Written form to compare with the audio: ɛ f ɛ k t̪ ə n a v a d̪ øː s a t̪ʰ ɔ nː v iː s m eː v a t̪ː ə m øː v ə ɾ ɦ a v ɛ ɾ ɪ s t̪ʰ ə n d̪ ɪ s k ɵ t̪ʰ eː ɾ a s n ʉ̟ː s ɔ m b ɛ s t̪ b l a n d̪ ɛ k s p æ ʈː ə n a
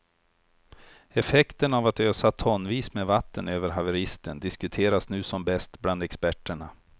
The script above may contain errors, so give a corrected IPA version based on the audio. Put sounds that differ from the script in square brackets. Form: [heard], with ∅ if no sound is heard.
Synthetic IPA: ɛ f ɛ k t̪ ə n a v a [t̪] øː s a t̪ʰ ɔ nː v iː s m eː v a t̪ː ə [n] øː v ə ɾ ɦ a v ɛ ɾ ɪ s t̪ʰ ə n d̪ ɪ s k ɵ t̪ʰ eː ɾ a s n ʉ̟ː s ɔ m b ɛ s t̪ b l a n d̪ ɛ k s p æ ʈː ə [ɳ] a